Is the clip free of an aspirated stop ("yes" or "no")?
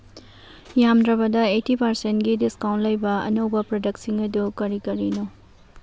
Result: yes